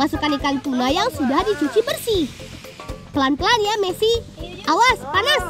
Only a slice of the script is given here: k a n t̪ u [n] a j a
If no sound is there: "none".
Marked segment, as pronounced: n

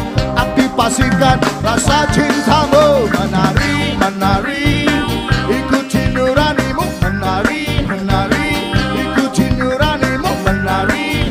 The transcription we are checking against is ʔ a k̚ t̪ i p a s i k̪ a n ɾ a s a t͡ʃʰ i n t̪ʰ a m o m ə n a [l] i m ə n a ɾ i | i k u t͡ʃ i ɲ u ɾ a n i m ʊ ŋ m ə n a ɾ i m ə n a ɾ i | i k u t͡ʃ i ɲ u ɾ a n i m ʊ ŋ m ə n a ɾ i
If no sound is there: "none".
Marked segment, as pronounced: ɾ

